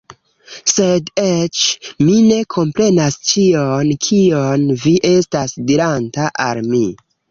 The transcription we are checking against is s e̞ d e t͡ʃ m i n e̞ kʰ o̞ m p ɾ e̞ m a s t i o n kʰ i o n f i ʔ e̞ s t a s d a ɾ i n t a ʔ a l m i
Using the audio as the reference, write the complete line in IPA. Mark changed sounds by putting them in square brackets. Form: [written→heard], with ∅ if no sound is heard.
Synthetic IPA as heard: s e̞ d e t͡ʃ m i n e̞ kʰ o̞ m p ɾ e̞ [m→n] a s [t→t͡ʃ] i o n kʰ i o n [f→v] i ʔ e̞ s t a s d [a→i] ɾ [i→a] n t a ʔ a l m i